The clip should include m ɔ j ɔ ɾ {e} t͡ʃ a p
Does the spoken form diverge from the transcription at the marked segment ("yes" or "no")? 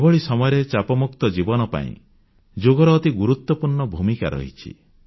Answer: no